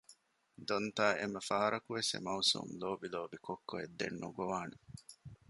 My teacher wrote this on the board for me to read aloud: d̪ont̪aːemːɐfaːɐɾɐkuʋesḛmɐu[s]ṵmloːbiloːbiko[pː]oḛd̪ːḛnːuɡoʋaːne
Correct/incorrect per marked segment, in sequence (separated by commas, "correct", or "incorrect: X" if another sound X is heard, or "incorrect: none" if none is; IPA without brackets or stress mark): correct, incorrect: kː